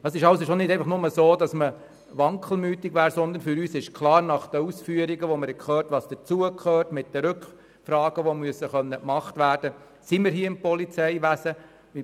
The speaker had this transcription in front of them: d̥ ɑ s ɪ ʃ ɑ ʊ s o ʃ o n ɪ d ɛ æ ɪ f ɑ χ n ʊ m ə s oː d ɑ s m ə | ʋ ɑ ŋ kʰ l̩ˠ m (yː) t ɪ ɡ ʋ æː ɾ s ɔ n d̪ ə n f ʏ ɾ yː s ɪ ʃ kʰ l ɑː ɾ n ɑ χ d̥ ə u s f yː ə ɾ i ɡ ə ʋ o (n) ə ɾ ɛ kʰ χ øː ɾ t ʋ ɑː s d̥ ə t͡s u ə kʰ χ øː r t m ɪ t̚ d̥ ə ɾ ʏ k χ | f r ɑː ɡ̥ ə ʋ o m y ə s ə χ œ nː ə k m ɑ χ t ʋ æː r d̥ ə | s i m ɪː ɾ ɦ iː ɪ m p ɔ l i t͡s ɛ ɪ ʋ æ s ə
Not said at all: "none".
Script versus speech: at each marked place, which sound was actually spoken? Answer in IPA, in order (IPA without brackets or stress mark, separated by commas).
yː, m